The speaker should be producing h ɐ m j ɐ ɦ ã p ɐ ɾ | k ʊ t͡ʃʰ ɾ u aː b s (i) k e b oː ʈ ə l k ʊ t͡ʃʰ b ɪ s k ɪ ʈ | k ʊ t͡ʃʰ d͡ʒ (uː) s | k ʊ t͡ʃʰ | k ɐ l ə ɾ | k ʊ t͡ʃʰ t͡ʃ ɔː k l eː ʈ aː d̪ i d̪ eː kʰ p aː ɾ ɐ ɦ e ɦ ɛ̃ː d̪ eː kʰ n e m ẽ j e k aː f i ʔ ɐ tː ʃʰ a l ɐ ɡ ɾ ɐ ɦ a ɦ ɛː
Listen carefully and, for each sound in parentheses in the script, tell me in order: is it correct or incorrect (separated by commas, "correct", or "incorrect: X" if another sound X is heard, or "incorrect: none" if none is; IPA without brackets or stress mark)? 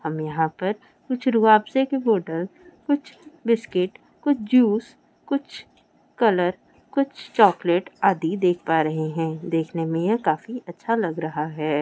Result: incorrect: e, correct